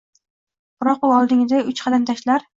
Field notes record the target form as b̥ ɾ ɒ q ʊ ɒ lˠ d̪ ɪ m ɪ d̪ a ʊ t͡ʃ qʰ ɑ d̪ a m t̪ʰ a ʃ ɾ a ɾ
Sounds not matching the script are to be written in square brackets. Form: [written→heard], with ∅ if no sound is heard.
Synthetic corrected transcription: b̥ ɾ ɒ q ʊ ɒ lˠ d̪ ɪ [m→ŋ] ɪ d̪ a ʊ t͡ʃ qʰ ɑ d̪ a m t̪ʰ a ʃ [ɾ→l] a ɾ